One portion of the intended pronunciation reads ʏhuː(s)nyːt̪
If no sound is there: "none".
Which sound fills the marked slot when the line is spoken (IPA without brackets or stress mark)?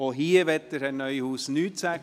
s